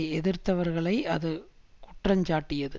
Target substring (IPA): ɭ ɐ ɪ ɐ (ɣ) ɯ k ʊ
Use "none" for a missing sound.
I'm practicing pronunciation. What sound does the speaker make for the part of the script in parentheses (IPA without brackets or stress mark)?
ð